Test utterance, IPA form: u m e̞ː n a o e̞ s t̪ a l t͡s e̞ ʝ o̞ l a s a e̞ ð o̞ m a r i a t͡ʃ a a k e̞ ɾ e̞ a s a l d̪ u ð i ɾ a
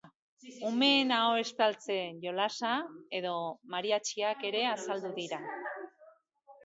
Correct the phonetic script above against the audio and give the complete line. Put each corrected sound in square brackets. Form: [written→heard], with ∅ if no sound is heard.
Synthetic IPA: u m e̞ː n a o e̞ s t̪ a l t͡s e̞ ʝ o̞ l a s a e̞ ð o̞ m a [r→ɾ] i a t͡ʃ [a→i] a k e̞ ɾ e̞ a s a l d̪ u ð i ɾ a